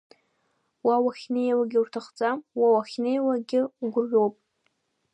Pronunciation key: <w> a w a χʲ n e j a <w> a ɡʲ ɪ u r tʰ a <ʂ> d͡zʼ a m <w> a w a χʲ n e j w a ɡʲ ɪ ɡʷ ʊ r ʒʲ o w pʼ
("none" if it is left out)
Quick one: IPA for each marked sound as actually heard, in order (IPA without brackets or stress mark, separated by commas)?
w, w, χ, w